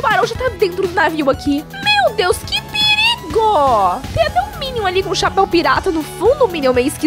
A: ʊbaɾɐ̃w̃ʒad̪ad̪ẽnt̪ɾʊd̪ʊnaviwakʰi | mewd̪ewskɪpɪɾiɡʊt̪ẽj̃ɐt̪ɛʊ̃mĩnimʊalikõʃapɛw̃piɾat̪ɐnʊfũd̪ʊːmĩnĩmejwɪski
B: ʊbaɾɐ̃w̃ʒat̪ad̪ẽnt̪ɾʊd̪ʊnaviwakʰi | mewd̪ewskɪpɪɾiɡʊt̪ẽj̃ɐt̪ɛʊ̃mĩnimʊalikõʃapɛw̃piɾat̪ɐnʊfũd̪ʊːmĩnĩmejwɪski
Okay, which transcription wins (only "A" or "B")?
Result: B